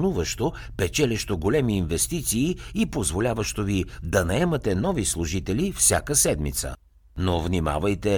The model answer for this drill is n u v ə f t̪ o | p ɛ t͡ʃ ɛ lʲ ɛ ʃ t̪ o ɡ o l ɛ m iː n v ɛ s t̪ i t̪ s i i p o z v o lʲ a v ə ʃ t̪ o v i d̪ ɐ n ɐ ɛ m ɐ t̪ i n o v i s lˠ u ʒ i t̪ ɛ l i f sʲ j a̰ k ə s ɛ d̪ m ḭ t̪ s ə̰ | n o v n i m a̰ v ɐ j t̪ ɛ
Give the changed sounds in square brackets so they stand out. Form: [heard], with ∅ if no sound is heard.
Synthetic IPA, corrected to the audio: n u v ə [ʃ] t̪ o | p ɛ t͡ʃ ɛ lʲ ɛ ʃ t̪ o ɡ o l ɛ m iː n v ɛ s t̪ i t̪ s [iː] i p o z v o lʲ a v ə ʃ t̪ o v i d̪ ɐ n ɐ ɛ m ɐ t̪ [ɛ] n [ɔ] v i s lˠ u ʒ i t̪ ɛ l i f sʲ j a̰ k ə s ɛ d̪ m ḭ t̪ s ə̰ | n o v n i m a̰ v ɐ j t̪ ɛ